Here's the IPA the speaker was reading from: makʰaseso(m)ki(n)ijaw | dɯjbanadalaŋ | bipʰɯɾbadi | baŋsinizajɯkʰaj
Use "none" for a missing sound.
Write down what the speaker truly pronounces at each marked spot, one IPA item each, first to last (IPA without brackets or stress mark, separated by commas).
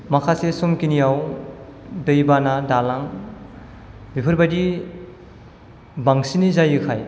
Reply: m, n